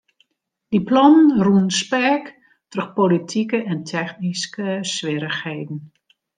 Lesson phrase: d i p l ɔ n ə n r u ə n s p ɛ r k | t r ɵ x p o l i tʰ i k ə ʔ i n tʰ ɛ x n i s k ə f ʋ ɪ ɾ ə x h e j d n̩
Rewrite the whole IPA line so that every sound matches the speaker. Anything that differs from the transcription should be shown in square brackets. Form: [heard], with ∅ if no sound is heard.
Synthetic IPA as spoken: d i p l ɔ n ə n r u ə n s p ɛ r k | t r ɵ x p o l i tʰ i k ə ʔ [ɛ] n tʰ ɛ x n i s k ə [s] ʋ ɪ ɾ ə x h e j d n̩